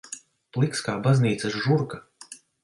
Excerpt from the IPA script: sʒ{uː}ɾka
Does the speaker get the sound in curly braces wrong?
yes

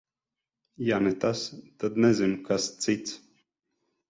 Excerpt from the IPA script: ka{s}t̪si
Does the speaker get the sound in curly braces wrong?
no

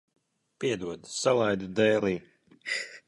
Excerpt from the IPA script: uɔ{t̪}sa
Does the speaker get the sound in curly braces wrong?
yes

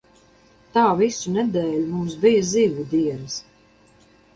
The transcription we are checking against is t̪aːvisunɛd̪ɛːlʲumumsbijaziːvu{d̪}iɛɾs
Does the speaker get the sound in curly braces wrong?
no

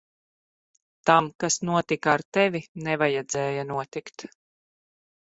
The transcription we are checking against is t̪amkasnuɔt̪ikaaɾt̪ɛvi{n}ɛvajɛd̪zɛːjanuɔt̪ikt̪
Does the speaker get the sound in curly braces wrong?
no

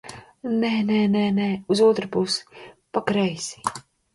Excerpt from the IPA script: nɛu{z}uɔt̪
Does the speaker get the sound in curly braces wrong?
no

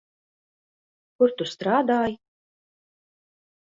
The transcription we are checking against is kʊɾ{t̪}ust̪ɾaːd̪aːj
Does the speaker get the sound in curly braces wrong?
no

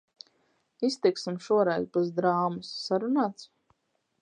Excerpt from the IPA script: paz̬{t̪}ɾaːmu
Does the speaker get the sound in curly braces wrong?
yes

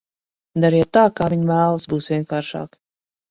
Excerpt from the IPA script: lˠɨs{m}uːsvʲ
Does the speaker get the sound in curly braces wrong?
yes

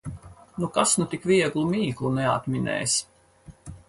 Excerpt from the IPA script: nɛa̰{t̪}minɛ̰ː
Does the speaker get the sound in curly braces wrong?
no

